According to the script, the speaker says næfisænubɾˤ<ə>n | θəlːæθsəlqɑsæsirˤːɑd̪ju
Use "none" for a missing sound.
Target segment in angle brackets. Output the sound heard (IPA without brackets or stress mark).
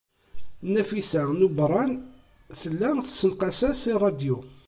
ɑ